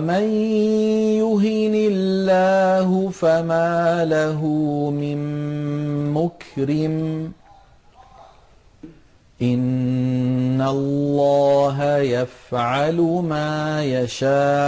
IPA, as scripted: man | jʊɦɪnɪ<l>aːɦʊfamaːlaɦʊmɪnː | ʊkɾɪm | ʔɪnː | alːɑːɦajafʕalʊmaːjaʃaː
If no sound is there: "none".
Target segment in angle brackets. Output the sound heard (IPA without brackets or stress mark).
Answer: lː